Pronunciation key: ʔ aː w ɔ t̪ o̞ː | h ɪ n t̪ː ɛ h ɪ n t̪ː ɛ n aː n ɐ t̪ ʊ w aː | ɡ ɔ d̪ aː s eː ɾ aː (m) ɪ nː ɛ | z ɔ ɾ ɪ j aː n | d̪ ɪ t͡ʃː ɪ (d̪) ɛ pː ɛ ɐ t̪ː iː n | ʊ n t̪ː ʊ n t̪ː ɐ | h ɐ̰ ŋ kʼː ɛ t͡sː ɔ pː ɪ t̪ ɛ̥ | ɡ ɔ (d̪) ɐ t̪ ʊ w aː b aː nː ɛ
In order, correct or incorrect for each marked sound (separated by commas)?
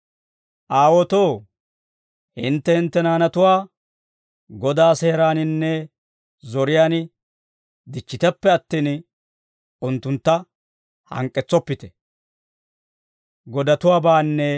incorrect, incorrect, correct